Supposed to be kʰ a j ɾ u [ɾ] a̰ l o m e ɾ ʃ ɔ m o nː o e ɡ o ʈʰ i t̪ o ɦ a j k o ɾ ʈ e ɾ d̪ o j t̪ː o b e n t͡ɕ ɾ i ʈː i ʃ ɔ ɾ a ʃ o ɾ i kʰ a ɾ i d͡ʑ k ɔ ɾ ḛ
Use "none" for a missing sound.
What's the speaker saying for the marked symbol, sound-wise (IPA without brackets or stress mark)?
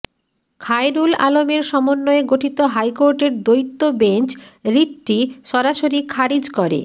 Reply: l